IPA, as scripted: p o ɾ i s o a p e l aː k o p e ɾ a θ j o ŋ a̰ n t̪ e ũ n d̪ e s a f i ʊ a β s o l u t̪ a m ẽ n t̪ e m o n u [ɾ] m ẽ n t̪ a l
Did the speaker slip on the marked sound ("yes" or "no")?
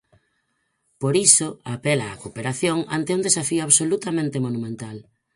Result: yes